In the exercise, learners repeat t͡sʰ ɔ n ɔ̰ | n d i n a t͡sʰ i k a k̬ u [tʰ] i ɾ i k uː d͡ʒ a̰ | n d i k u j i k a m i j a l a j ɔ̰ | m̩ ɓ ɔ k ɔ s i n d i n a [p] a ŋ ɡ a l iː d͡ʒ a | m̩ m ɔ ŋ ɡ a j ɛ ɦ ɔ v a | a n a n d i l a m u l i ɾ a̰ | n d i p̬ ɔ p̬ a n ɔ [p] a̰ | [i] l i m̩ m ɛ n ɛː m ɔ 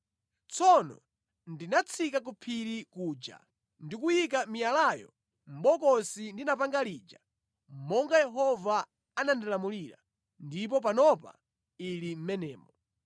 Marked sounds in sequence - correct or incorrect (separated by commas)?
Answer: incorrect, correct, correct, correct